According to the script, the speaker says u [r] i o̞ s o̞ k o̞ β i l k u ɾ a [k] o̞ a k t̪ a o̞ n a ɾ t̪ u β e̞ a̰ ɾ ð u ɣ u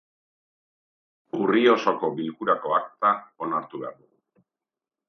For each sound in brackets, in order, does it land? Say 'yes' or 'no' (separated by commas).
yes, yes